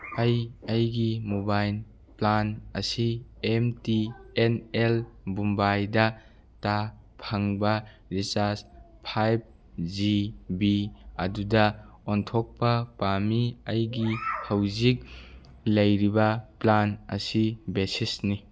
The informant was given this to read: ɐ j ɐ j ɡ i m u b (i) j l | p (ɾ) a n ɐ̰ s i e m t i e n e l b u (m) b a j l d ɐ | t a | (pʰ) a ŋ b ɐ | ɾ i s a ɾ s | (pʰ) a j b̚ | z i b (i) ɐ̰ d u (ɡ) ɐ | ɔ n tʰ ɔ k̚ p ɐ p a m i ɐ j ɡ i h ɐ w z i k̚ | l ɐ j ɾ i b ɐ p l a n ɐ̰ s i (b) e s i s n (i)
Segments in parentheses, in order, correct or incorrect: incorrect, incorrect, correct, correct, correct, correct, incorrect, correct, correct

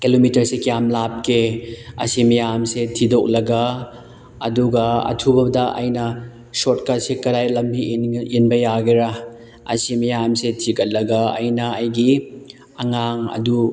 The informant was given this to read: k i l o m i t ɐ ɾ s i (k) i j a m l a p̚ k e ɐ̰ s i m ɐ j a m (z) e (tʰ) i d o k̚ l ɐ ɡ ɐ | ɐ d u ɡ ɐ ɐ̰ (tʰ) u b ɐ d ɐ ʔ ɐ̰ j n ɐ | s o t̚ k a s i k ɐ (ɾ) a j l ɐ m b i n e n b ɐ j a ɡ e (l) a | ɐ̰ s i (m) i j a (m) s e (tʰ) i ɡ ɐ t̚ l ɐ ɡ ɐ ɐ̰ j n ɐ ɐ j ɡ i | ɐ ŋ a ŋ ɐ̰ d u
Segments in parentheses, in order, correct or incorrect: correct, incorrect, correct, correct, correct, incorrect, correct, correct, correct

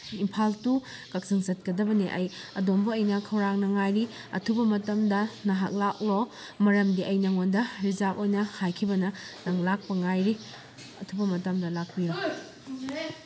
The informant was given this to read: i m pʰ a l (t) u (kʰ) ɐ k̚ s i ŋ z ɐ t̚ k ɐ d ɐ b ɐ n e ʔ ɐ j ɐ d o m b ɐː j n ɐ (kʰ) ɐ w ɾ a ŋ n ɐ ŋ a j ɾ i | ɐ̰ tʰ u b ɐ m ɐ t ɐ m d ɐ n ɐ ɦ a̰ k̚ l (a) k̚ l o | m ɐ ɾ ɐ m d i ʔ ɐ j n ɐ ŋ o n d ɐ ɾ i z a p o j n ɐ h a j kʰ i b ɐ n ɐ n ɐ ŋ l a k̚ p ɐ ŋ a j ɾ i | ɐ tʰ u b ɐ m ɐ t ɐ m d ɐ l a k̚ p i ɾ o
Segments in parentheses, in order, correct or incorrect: correct, incorrect, correct, correct

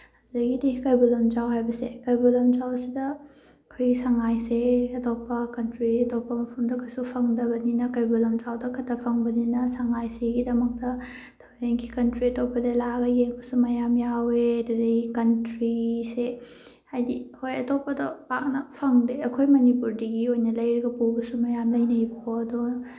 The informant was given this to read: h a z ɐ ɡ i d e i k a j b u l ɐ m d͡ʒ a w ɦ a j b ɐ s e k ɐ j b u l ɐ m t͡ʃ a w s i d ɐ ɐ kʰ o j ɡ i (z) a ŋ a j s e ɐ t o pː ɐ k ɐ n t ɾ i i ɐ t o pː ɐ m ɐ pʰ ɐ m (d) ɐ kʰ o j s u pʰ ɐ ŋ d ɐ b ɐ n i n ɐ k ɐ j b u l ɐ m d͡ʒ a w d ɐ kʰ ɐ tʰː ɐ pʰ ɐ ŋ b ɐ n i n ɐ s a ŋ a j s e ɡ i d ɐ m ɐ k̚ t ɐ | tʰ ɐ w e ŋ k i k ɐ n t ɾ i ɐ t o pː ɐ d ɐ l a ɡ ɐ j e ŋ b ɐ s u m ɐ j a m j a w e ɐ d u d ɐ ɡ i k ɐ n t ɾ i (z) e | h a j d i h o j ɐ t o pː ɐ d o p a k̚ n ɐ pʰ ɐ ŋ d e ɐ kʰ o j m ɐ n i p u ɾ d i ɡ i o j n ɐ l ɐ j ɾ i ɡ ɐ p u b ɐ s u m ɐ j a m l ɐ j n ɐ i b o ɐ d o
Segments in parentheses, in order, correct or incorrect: incorrect, correct, incorrect

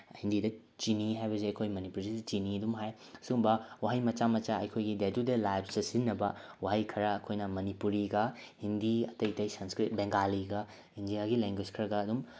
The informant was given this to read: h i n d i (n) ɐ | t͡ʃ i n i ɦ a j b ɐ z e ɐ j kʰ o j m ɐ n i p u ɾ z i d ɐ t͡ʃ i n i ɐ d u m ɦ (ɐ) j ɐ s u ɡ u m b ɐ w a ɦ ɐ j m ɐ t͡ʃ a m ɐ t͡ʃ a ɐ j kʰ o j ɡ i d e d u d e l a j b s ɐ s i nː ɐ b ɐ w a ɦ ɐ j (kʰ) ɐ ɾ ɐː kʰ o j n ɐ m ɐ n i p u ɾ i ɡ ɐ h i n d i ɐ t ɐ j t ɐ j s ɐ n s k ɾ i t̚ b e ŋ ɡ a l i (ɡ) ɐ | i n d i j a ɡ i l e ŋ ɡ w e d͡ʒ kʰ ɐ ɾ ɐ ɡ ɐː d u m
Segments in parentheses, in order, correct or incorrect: incorrect, incorrect, correct, correct

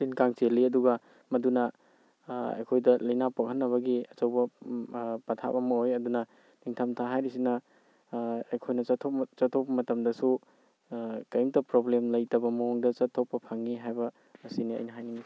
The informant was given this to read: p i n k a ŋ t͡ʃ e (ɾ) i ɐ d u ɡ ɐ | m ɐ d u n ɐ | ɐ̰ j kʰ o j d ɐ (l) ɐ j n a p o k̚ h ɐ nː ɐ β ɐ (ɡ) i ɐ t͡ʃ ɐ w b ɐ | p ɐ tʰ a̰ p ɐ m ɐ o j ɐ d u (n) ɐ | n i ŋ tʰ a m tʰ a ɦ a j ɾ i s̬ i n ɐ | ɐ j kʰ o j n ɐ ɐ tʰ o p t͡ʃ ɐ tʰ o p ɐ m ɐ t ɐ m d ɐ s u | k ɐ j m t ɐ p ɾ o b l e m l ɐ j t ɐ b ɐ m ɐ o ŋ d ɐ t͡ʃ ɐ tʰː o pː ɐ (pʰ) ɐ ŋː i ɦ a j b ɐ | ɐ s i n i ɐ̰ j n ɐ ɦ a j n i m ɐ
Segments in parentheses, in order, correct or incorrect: incorrect, correct, correct, correct, correct

